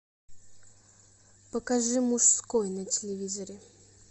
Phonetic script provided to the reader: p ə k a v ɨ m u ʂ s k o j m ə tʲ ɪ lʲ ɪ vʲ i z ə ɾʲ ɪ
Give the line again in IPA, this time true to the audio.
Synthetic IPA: p ə k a ʐ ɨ m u ʂ s k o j n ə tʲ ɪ lʲ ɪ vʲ i z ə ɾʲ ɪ